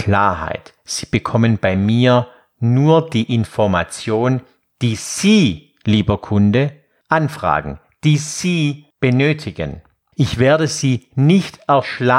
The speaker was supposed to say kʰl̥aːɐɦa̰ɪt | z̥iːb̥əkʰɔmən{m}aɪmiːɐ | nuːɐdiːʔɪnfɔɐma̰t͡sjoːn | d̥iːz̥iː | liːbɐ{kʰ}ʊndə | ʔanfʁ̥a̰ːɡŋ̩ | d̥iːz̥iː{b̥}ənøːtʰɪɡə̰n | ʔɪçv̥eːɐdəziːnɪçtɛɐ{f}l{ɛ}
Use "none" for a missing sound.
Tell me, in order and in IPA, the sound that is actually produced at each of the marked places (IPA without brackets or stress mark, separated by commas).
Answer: b, kʰ, b̥, ʃ, a